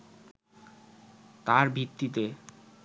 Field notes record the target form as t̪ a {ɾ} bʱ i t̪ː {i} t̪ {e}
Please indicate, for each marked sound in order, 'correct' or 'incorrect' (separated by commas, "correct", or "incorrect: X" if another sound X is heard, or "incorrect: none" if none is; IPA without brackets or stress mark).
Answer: correct, correct, correct